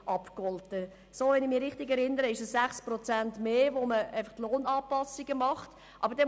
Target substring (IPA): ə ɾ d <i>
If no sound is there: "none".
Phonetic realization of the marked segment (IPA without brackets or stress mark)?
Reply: ɛ